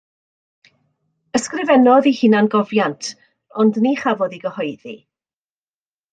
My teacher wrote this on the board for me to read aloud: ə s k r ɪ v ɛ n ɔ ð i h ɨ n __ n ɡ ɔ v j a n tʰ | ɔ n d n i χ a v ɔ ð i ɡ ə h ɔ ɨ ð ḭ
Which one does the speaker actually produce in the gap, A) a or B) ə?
A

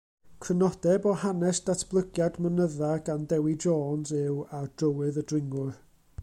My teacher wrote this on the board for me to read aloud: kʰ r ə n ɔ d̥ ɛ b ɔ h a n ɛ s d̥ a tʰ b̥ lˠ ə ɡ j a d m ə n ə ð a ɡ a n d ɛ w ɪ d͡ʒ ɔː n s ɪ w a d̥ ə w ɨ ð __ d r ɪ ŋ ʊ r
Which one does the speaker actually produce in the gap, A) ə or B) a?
A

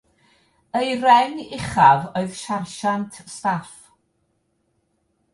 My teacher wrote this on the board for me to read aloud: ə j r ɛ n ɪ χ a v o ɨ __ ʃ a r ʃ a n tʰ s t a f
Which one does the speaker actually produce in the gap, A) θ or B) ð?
B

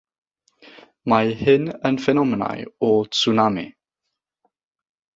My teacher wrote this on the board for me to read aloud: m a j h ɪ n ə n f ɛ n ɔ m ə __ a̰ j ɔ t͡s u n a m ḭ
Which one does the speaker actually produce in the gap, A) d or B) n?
B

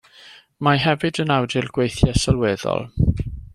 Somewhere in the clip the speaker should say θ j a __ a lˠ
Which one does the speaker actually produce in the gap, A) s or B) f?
A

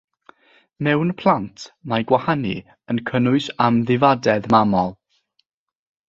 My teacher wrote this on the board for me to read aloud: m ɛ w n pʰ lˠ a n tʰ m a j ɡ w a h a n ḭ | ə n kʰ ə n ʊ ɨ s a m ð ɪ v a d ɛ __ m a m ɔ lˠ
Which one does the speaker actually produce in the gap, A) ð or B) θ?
A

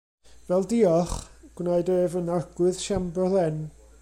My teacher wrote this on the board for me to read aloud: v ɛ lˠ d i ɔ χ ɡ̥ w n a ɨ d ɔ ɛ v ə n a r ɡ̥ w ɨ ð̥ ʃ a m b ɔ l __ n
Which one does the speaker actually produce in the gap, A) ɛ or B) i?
A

